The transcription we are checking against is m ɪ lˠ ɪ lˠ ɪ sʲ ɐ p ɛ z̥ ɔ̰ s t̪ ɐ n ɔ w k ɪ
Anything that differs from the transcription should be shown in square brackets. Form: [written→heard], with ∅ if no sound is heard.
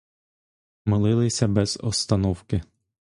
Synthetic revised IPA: m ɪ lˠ ɪ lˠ ɪ sʲ ɐ [p→b] ɛ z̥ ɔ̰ s t̪ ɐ n ɔ w k ɪ